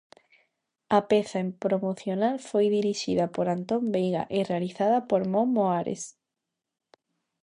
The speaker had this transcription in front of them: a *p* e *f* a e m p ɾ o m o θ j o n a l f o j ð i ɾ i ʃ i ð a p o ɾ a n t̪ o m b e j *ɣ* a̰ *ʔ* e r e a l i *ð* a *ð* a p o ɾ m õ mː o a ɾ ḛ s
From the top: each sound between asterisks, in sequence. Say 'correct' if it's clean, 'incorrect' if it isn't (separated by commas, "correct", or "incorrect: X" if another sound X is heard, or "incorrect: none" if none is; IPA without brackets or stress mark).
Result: correct, incorrect: θ, correct, correct, incorrect: θ, correct